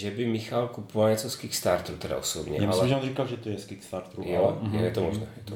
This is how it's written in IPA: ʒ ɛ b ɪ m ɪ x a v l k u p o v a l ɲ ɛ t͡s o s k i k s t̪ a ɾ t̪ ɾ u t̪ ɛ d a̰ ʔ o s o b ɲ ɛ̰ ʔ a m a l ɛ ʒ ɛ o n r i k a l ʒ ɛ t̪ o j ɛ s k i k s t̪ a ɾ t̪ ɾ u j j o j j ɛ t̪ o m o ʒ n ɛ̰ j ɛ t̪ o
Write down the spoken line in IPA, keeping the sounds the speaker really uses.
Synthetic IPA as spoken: ʒ ɛ b ɪ m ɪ x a l k u p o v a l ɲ ɛ t͡s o s k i k s t̪ a ɾ t̪ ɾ u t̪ ɛ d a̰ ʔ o s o b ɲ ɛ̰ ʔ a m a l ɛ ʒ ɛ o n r i k a l ʒ ɛ t̪ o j ɛ s k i k s t̪ a ɾ t̪ ɾ u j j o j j ɛ t̪ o m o ʒ n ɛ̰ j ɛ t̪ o